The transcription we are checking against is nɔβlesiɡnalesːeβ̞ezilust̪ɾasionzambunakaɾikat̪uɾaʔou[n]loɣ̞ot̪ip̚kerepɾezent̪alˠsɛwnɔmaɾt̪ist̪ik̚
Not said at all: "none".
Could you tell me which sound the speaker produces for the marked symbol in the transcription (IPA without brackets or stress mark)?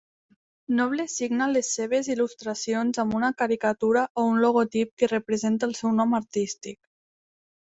n